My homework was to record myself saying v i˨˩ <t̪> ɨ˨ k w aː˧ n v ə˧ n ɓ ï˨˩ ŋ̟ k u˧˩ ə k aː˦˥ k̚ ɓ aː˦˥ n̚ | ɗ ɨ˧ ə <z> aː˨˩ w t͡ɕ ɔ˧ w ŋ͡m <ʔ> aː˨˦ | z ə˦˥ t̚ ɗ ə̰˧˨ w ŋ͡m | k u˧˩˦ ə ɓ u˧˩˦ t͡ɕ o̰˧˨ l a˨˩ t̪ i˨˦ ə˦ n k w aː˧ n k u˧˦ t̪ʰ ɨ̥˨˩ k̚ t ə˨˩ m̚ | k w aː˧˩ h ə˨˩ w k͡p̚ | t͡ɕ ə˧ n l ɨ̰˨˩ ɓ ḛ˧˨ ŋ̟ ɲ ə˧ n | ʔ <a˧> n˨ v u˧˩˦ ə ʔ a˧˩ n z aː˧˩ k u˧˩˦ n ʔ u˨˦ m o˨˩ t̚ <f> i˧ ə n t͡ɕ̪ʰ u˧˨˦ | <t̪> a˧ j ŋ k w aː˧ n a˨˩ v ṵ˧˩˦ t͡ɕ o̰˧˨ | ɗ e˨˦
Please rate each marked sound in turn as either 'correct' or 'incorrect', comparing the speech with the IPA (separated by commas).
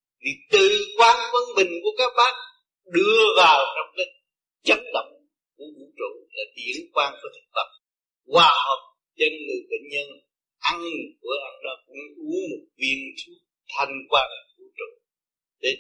correct, incorrect, incorrect, correct, incorrect, incorrect